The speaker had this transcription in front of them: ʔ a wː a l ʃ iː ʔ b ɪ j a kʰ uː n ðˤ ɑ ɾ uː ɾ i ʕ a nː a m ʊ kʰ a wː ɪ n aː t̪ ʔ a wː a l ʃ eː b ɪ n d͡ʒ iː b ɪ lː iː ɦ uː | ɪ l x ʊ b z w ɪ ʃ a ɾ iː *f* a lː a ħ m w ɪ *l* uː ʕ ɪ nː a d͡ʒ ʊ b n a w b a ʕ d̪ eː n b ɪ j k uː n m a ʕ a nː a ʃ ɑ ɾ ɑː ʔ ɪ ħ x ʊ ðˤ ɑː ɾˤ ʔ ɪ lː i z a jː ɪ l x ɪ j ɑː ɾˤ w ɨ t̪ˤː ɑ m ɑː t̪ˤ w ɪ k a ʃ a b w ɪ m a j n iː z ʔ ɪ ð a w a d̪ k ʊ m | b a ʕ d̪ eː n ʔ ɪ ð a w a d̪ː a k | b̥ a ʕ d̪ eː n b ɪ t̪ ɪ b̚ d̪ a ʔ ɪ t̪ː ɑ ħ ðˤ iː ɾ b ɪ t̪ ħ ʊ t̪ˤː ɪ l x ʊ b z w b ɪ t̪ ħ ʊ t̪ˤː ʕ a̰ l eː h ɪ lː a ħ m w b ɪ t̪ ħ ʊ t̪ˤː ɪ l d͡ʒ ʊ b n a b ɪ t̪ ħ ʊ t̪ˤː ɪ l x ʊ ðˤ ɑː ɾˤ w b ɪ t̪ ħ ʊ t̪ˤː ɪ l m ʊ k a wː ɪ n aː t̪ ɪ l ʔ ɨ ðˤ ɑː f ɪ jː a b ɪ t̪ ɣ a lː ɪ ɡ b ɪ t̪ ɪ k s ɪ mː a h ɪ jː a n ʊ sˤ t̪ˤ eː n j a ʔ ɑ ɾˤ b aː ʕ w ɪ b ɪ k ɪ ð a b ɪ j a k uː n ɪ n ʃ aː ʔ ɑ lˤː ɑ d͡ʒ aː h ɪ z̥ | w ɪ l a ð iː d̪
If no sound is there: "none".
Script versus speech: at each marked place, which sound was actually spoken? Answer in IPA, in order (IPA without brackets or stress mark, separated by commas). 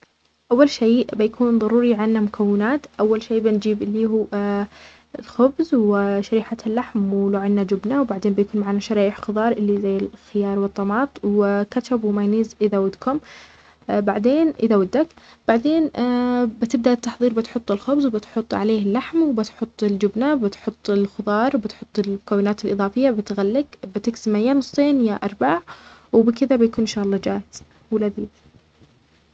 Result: ħ, l